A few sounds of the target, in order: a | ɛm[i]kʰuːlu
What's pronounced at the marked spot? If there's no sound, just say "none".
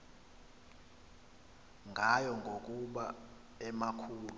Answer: a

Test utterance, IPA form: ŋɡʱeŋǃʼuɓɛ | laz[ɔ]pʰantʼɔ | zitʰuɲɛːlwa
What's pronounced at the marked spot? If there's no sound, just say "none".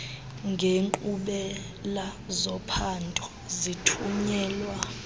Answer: ɔ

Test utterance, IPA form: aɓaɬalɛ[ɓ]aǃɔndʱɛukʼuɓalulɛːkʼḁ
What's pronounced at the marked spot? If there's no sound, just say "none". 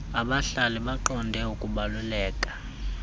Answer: ɓ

